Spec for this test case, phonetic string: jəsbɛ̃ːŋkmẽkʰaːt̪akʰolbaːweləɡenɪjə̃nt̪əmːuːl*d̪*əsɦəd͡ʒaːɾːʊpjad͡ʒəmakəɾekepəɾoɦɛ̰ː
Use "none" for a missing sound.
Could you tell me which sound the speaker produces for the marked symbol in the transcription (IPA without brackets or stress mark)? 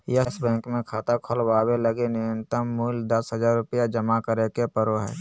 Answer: d̪